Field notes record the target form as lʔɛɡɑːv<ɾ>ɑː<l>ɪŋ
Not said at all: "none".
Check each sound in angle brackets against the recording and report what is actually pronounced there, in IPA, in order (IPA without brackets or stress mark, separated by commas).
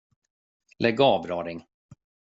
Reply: ɾ, ɾ